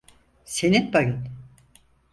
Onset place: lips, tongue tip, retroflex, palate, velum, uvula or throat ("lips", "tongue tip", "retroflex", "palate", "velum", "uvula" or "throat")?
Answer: tongue tip